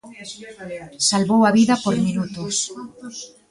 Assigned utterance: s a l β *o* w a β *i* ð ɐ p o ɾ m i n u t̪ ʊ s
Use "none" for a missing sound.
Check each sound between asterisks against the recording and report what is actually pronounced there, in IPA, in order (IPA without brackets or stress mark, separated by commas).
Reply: o, i